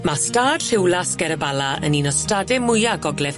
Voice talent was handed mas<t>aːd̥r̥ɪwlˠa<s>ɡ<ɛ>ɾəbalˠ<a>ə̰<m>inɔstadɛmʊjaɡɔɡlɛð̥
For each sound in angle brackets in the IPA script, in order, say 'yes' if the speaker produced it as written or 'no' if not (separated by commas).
yes, yes, yes, yes, no